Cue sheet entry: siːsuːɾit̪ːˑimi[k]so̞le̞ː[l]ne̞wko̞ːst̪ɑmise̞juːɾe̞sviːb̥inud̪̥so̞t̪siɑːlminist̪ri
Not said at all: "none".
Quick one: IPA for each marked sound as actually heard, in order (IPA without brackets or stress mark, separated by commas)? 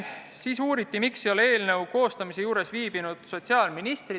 k, l